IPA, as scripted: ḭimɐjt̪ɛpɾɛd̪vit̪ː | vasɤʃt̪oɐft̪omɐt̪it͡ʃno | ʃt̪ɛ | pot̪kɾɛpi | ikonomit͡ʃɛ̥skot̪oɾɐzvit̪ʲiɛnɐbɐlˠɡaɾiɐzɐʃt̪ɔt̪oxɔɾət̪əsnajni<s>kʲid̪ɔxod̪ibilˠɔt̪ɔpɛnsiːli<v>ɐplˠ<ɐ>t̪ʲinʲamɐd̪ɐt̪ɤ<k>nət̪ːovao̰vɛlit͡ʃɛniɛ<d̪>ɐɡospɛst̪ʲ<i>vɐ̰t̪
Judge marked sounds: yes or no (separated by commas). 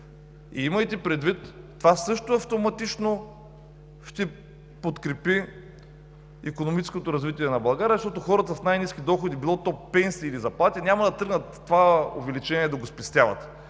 yes, no, no, no, yes, no